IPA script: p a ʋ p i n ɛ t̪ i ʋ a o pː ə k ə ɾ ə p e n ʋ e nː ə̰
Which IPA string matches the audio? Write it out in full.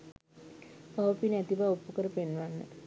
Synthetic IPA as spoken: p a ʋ p i n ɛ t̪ i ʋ a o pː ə k ə ɾ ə p e n ʋ a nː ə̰

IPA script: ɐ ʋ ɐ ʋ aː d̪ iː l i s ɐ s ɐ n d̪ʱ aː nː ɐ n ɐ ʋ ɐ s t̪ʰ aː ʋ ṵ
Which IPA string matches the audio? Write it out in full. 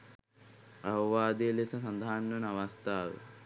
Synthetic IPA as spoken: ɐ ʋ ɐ ʋ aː d̪ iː l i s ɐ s ɐ n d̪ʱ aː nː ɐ n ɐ ʋ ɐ s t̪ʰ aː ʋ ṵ

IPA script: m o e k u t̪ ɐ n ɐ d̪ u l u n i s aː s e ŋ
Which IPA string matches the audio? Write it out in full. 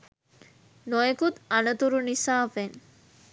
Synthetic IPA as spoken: n o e k u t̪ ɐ n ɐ t̪ u ɾ u n i s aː f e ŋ

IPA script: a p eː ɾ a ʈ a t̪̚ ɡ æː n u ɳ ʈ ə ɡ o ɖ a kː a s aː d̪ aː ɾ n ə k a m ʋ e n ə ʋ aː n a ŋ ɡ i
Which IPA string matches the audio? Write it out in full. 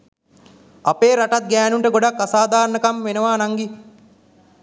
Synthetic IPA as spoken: a p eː ɾ a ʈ a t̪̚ ɡ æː n u ɳ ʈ ə ɡ o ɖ a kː a s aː d̪ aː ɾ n ə k a m ʋ e n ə ʋ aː n a ŋ ɡ i

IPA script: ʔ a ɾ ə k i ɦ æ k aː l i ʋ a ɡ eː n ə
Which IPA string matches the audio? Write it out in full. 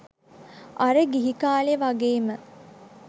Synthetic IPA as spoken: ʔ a ɾ ə ɡ i ɦ i k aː l e ʋ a ɡ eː m ə

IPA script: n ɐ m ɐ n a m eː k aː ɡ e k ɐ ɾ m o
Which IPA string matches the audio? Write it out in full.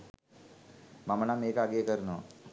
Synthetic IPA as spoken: m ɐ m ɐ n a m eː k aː ɡ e k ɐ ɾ n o

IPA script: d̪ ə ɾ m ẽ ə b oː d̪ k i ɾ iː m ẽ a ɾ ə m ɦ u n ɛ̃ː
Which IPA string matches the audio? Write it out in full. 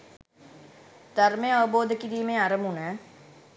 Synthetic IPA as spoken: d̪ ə ɾ m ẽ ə b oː d̪ k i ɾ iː m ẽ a ɾ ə m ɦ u n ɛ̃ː

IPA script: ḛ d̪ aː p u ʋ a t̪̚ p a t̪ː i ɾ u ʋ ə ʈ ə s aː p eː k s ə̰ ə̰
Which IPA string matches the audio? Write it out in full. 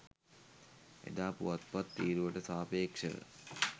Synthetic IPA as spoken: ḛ d̪ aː p u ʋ a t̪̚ p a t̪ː iː ɾ u ʋ ə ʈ ə s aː p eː k ʂ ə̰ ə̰

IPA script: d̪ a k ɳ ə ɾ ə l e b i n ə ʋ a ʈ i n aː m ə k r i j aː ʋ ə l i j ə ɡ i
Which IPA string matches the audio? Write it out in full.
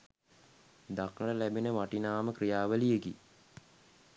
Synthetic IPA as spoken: d̪ a k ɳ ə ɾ ə l æ b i n ə ʋ a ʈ i n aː m ə k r i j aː ʋ ə l i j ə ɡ i

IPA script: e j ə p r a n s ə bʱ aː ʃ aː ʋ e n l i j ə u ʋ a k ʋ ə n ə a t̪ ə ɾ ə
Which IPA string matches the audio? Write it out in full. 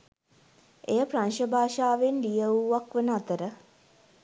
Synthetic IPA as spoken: e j ə p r a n ʃ ə bʱ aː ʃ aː ʋ e n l i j ə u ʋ a k ʋ ə n ə a t̪ ə ɾ ə

